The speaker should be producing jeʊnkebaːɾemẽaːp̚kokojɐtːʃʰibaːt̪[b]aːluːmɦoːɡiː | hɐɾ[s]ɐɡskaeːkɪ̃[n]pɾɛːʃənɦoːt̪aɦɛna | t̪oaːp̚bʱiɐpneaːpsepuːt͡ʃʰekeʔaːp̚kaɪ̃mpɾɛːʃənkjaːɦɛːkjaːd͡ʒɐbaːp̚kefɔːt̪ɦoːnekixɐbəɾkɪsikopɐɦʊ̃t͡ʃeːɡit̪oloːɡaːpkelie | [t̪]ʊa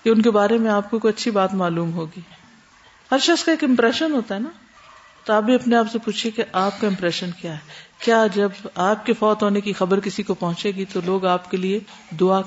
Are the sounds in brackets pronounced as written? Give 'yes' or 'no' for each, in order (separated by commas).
no, no, no, no